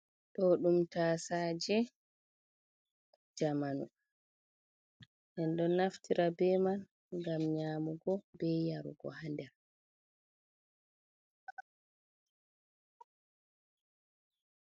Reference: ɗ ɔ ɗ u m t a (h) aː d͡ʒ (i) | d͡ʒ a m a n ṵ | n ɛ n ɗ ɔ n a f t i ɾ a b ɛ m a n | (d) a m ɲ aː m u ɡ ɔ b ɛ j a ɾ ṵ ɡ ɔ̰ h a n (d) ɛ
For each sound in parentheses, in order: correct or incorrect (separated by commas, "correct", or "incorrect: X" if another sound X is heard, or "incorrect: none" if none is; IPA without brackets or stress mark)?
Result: incorrect: s, incorrect: ɛ, incorrect: ɡ, correct